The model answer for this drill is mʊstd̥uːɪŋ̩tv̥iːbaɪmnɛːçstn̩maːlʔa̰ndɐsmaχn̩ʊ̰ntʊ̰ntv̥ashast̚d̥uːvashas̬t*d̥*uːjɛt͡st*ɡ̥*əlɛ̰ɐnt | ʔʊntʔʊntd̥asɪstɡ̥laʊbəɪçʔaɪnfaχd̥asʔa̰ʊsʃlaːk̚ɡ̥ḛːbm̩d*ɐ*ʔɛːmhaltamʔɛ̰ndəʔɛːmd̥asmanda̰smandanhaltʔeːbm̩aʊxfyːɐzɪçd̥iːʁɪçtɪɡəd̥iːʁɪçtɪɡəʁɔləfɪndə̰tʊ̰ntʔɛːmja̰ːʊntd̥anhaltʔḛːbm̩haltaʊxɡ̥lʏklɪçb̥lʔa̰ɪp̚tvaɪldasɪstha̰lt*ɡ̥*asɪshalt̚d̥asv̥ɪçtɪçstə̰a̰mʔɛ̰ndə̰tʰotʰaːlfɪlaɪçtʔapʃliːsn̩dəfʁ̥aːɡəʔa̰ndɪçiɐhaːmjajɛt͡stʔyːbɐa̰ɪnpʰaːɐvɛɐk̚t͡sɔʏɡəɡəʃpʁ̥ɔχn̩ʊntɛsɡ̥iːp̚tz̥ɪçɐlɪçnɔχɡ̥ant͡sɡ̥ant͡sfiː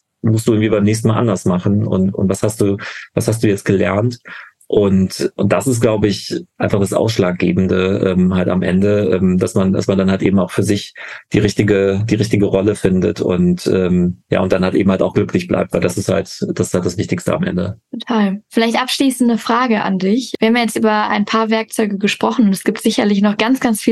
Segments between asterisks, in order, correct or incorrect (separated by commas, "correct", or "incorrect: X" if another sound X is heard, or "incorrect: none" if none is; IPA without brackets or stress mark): correct, correct, incorrect: ə, incorrect: d̥